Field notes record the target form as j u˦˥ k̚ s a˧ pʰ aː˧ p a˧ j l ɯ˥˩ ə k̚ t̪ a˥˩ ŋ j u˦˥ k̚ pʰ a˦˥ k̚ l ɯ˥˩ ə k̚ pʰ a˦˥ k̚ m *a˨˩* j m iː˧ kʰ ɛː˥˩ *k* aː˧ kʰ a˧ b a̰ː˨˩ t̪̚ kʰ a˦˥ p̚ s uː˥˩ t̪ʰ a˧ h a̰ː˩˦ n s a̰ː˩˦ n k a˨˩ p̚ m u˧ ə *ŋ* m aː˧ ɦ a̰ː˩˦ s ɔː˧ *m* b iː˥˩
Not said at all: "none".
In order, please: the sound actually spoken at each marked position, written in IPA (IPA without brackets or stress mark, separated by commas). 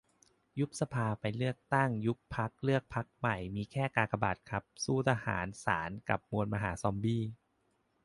a˨˩, k, n, m